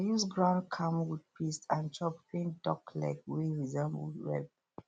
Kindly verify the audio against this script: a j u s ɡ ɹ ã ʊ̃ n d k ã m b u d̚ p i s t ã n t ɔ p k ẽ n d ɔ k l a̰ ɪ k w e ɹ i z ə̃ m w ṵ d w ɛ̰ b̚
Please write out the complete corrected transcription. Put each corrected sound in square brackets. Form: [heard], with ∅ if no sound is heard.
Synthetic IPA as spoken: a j u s ɡ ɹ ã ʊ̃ n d [kʰ] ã m [w] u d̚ p i s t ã n [t͡ʃ] ɔ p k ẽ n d ɔ k l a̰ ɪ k w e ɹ i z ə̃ m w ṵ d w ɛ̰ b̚